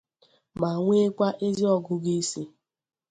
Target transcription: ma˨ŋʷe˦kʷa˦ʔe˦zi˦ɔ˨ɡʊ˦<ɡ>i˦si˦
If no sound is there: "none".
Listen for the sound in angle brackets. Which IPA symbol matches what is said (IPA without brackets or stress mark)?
ɡ